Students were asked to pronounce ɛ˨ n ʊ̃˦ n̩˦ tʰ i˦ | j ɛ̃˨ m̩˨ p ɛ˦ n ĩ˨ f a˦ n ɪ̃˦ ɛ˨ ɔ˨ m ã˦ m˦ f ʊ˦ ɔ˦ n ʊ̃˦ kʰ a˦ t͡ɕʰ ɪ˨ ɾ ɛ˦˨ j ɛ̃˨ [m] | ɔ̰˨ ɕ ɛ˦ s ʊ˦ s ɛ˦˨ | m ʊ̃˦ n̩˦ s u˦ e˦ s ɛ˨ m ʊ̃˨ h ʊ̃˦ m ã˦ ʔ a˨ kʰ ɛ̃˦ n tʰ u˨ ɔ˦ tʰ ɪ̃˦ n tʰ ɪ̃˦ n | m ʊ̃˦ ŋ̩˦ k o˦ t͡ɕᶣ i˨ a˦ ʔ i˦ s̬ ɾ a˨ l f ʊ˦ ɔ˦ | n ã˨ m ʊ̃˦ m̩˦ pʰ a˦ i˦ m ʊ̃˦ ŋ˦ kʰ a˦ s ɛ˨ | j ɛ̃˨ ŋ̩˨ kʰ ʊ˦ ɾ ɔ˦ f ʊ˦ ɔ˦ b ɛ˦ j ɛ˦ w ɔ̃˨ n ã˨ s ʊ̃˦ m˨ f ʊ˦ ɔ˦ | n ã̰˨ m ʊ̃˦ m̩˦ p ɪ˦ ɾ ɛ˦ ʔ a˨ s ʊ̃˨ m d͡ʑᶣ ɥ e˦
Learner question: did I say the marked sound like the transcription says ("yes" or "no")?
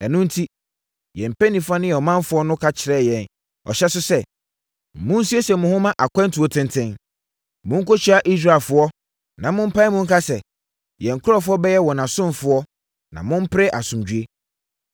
no